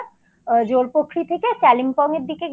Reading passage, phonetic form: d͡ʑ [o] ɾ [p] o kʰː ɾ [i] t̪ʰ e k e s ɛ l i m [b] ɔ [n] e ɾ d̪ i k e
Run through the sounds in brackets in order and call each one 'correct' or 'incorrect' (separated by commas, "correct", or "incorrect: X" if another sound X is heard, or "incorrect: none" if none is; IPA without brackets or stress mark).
correct, correct, correct, incorrect: p, incorrect: ŋ